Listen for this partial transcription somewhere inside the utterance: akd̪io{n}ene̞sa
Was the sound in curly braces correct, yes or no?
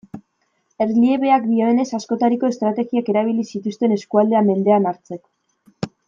no